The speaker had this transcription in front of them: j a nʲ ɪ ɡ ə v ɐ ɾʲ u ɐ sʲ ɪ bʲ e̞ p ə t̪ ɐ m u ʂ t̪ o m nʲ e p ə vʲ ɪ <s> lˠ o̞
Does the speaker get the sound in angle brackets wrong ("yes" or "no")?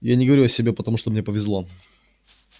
yes